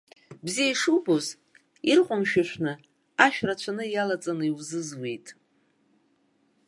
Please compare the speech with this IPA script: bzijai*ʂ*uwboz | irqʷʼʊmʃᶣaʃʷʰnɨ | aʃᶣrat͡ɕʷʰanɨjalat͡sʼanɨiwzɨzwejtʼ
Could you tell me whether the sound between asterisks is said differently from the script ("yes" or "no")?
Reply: no